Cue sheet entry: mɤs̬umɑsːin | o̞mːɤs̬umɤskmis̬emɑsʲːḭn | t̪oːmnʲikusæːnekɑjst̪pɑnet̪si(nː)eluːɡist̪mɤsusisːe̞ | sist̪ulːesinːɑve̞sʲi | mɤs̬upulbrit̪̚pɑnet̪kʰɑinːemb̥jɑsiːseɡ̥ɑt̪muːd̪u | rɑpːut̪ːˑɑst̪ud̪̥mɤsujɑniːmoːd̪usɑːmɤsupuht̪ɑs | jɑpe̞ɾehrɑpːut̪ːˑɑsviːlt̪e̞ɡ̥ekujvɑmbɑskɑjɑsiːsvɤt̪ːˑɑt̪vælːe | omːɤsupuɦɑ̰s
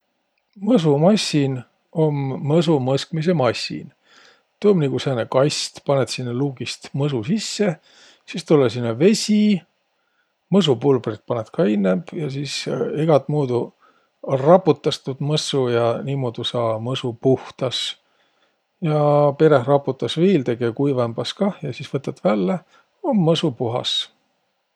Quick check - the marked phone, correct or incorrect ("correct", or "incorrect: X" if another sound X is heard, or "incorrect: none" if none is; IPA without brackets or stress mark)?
correct